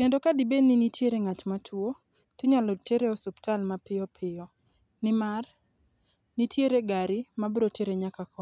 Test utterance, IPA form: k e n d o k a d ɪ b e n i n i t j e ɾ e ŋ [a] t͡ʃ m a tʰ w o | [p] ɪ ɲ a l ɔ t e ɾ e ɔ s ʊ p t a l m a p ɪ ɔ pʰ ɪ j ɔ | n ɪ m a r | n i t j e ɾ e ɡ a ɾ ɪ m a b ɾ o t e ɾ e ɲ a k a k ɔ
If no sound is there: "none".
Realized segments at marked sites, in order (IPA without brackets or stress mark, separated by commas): a, t